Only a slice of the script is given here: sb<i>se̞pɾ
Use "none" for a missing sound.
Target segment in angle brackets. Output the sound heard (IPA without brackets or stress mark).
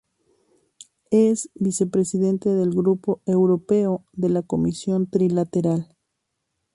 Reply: i